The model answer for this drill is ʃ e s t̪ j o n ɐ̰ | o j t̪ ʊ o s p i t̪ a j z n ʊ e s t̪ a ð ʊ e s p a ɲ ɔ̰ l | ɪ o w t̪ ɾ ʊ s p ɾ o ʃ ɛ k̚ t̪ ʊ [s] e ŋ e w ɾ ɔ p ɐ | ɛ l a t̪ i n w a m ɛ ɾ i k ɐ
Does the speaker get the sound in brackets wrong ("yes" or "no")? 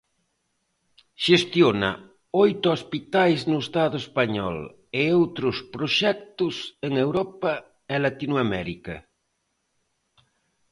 no